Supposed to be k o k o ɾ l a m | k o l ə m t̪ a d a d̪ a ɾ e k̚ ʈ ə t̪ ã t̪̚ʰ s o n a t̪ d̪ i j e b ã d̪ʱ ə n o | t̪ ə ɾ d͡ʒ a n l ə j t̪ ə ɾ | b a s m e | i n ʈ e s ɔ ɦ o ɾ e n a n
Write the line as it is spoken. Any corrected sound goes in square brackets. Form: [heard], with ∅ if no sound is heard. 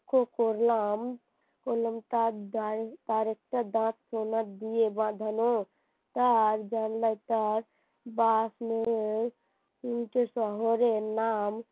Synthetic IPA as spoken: k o k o ɾ l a m | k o l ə m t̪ a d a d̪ a ɾ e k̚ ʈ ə [d̪] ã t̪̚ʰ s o n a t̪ d̪ i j e b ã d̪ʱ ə n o | t̪ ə ɾ d͡ʒ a n l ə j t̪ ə ɾ | b a s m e | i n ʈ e s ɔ ɦ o ɾ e n a [m]

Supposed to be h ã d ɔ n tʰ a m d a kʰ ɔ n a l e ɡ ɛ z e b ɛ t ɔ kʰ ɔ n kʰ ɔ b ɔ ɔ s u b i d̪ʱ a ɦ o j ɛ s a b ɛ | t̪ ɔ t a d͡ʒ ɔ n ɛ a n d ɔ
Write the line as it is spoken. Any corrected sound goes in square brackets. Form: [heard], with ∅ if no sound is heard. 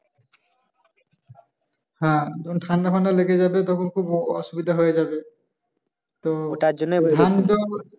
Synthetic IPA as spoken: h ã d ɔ n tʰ a [n] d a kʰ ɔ n a l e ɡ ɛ z [a] b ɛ t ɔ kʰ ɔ n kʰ [u] b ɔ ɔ s u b i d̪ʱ a ɦ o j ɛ [z] a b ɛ | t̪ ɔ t a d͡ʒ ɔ n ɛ a n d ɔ

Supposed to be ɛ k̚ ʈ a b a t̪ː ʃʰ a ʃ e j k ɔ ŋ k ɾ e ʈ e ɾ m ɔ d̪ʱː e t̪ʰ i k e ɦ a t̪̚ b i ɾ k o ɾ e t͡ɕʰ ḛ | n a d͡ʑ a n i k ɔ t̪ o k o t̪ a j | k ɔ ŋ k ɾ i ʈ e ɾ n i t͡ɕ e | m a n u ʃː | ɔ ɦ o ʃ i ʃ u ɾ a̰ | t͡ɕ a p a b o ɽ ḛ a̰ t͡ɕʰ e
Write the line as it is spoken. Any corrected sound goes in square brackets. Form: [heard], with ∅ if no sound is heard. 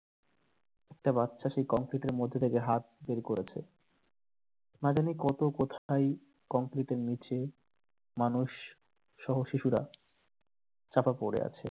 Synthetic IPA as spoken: ɛ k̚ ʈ a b a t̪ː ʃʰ a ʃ e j k ɔ ŋ k ɾ [i] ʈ e ɾ m [o] d̪ʱː e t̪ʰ [e] k e ɦ a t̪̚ b [e] ɾ k o ɾ e t͡ɕʰ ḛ | n a d͡ʑ a n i k ɔ t̪ o k o [t̪ʰ] a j | k ɔ ŋ k ɾ i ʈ e ɾ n i t͡ɕ e | m a n u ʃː | ɔ ɦ o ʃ i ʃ u ɾ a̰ | t͡ɕ a p a [p] o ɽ ḛ a̰ t͡ɕʰ e

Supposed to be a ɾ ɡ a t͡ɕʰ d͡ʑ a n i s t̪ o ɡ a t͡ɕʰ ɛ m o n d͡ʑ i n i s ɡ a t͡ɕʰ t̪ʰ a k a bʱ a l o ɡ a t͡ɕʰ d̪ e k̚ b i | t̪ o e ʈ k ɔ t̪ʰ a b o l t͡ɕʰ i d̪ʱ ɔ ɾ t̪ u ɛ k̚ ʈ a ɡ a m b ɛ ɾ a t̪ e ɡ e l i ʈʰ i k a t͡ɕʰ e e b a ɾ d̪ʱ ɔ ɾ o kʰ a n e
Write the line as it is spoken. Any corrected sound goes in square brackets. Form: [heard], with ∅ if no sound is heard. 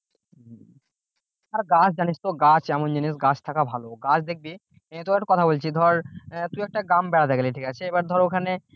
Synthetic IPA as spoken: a ɾ ɡ a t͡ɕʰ d͡ʑ a n i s t̪ o ɡ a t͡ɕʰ ɛ m o n d͡ʑ i n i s ɡ a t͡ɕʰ t̪ʰ a k a bʱ a l o ɡ a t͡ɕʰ d̪ e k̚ b i | t̪ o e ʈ k ɔ t̪ʰ a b o l t͡ɕʰ i d̪ʱ ɔ ɾ t̪ u ɛ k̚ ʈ a ɡ a m b ɛ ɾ a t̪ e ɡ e l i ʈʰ i k a t͡ɕʰ e e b a ɾ d̪ʱ ɔ ɾ o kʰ a n e

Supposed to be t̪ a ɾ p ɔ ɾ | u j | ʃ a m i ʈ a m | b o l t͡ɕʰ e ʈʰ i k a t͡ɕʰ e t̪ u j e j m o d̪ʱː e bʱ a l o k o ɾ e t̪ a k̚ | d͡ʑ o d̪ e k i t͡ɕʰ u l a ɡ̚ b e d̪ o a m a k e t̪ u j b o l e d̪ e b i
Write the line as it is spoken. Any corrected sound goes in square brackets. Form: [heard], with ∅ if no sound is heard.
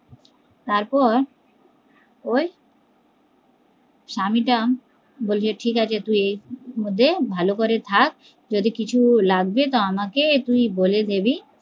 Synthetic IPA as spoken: t̪ a ɾ p ɔ ɾ | [o] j | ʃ a m i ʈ a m | b o l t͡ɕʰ e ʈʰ i k a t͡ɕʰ e t̪ u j e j m o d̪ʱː e bʱ a l o k o ɾ e [t̪ʰ] a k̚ | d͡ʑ o d̪ [i] k i t͡ɕʰ u l a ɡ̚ b e [t̪] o a m a k e t̪ u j b o l e d̪ e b i

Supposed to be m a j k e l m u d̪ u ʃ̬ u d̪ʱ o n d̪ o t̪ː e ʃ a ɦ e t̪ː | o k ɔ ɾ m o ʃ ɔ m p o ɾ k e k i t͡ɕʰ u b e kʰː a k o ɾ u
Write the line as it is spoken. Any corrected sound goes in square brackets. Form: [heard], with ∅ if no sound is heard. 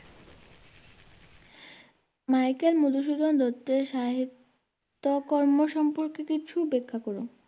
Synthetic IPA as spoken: m a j k e l m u d̪ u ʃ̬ u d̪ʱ o n d̪ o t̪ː e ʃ a ɦ [i] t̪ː | o k ɔ ɾ m o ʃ ɔ m p o ɾ k e k i t͡ɕʰ u b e kʰː a k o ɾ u

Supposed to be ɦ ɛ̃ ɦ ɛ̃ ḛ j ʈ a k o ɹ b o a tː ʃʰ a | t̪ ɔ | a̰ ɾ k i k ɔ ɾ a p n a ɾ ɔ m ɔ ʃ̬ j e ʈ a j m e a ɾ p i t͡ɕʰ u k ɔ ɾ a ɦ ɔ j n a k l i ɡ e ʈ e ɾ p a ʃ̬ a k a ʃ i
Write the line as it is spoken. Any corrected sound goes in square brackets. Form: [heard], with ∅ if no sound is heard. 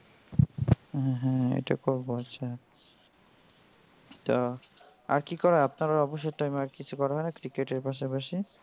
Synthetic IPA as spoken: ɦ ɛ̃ ɦ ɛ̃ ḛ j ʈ a k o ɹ b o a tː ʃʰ a | t̪ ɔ | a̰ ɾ k i k ɔ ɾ a p n a ɾ ɔ [b] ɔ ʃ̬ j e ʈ a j m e a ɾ [k] i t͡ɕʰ u k ɔ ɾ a ɦ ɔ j n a k [ɾ] i [k] e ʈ e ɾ p a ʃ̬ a [p] a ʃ i

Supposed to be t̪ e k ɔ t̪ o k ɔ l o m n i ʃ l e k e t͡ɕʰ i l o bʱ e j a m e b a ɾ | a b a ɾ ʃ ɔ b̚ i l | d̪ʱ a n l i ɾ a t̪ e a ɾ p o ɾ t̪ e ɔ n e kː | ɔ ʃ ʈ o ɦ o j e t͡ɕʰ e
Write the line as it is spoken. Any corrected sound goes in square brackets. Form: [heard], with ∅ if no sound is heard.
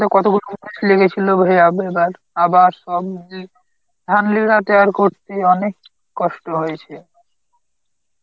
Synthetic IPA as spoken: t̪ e k ɔ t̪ o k [u] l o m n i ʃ l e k e t͡ɕʰ i l o bʱ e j a [b] e b a ɾ | a b a ɾ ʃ ɔ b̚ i [∅] | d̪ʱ a n l i ɾ a t̪ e a ɾ [k] o ɾ t̪ e ɔ n e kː | ɔ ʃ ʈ o ɦ o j e t͡ɕʰ e

